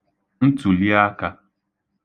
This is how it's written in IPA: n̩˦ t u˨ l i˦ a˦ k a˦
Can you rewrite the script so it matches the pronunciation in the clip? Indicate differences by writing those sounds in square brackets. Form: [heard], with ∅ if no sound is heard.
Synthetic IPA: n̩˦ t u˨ l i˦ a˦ k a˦